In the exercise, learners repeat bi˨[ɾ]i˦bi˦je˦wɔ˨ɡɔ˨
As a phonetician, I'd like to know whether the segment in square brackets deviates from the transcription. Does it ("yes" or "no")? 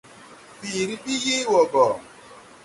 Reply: no